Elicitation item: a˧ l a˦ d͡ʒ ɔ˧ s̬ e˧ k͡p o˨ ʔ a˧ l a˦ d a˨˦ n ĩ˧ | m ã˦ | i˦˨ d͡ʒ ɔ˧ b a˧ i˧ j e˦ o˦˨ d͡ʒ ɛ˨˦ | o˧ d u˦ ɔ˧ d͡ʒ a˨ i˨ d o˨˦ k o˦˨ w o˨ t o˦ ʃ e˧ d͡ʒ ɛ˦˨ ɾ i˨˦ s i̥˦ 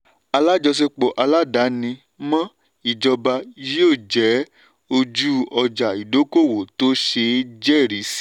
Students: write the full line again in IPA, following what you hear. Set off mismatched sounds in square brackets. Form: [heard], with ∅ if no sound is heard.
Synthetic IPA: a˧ l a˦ d͡ʒ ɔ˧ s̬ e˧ k͡p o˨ ʔ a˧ l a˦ d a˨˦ n ĩ˧ | m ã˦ | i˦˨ d͡ʒ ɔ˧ b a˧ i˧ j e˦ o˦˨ d͡ʒ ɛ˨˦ | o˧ [d͡ʒ] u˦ ɔ˧ d͡ʒ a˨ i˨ d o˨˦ k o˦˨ w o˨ t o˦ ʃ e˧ d͡ʒ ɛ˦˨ ɾ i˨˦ s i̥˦